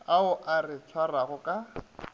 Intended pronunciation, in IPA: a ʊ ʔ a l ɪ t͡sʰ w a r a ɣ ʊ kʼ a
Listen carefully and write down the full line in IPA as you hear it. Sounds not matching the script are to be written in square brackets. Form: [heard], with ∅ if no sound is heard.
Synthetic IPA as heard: a ʊ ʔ a [r] ɪ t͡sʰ w a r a ɣ ʊ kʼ a